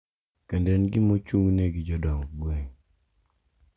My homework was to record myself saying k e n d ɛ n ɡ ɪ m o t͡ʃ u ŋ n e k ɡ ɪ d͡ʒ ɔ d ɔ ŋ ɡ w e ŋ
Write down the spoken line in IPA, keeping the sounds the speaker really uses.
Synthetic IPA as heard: k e n d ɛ n ɡ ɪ m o t͡ʃ u ŋ n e ɡ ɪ d͡ʒ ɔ d ɔ ŋ ɡ w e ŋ